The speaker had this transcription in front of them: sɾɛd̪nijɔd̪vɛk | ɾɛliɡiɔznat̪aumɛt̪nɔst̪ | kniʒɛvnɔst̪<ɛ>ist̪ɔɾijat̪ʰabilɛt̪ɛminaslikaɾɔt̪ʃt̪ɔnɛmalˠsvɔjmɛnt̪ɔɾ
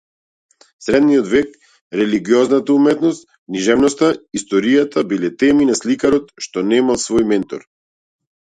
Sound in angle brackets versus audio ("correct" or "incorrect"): incorrect